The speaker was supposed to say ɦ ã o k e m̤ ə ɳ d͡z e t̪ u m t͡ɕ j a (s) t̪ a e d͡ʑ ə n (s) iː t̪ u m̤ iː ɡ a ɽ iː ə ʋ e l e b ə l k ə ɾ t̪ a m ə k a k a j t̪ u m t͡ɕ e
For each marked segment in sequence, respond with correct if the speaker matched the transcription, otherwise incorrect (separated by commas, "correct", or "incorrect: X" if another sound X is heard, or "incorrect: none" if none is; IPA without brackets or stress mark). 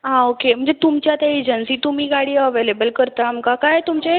incorrect: none, correct